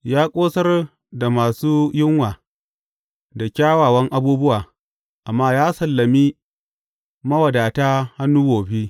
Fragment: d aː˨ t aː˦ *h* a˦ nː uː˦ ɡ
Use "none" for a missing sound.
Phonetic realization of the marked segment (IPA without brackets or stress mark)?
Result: h